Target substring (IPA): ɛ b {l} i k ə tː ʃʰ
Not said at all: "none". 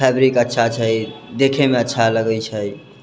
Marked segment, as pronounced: ɾ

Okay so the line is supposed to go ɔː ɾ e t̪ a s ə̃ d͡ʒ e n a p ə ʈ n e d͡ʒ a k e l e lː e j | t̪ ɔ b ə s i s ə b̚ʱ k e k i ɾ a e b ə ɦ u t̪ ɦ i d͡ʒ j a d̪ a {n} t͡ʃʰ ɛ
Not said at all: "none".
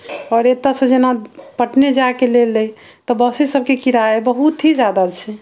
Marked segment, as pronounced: none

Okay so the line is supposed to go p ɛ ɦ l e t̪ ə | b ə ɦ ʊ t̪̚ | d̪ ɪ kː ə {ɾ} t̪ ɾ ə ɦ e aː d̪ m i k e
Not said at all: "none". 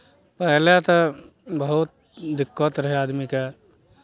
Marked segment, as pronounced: none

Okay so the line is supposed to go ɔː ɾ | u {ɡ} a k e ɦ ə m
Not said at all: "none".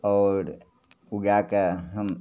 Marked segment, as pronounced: ɡ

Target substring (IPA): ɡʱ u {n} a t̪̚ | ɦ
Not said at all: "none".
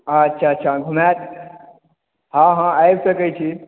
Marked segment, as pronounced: m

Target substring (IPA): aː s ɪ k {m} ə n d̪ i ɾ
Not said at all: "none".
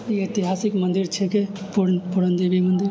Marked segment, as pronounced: m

